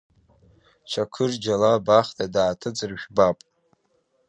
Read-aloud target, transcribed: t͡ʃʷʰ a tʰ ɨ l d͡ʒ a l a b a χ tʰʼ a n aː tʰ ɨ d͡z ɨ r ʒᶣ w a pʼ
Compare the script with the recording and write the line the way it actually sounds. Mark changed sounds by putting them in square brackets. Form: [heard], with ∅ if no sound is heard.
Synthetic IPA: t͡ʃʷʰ a [kʰ] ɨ [r] d͡ʒ a l a b a χ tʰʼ a [d] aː tʰ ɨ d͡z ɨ r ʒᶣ [b] a pʼ